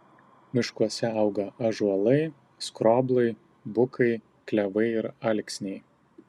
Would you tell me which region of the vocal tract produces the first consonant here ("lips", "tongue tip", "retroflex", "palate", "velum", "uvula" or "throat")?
lips